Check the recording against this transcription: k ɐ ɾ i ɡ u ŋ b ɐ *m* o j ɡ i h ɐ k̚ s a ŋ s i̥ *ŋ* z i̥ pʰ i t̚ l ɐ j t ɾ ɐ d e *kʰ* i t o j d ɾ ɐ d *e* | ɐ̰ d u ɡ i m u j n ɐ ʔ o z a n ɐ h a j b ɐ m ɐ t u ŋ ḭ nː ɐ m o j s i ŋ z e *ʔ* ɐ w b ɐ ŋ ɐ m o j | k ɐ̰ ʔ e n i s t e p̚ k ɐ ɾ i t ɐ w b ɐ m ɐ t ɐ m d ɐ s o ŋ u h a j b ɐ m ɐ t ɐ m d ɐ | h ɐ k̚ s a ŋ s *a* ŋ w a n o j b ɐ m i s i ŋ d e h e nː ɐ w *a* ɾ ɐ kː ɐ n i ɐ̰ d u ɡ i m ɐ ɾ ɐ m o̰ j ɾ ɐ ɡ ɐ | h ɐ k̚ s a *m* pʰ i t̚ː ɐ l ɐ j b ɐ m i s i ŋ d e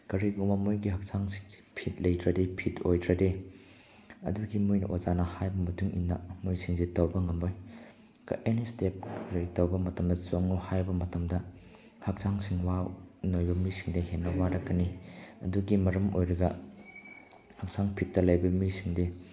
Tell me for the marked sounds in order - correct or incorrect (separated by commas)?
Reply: correct, correct, incorrect, correct, incorrect, incorrect, correct, incorrect